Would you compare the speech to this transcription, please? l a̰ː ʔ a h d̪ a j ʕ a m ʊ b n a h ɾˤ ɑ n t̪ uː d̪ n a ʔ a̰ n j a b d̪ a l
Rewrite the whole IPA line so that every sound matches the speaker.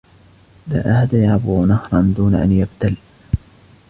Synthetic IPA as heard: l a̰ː ʔ a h d̪ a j ʕ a b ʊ n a h ɾˤ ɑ n d̪ uː n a ʔ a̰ n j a b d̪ a l